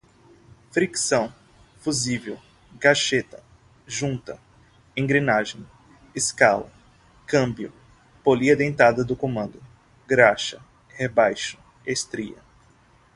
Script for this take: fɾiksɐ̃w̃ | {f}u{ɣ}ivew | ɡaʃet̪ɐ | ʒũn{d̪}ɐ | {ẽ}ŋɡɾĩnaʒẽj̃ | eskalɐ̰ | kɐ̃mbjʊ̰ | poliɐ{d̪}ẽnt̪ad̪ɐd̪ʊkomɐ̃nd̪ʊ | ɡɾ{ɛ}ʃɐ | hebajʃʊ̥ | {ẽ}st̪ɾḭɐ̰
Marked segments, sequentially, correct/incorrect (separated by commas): correct, incorrect, incorrect, correct, correct, incorrect, incorrect